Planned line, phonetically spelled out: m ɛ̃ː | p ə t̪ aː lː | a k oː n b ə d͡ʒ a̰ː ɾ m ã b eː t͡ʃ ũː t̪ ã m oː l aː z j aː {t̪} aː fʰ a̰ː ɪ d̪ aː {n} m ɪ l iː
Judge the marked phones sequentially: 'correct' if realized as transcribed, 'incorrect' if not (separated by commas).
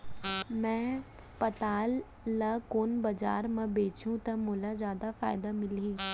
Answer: incorrect, incorrect